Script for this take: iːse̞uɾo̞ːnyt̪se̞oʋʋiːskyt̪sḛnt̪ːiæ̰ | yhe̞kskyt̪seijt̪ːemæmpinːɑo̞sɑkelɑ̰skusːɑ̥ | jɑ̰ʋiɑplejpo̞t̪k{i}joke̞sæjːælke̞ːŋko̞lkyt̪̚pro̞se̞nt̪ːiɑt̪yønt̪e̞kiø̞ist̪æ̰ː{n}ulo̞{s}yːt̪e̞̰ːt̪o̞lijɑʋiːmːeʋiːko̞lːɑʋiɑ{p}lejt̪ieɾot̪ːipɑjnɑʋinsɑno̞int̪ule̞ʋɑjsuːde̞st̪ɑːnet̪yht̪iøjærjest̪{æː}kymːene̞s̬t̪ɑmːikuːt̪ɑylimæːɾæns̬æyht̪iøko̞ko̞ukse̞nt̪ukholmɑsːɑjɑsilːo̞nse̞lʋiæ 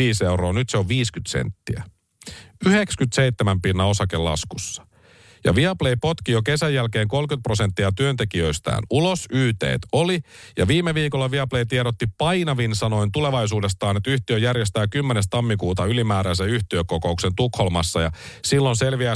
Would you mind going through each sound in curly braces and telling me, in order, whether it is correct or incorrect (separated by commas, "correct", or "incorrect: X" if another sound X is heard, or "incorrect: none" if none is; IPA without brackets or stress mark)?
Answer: correct, correct, correct, correct, correct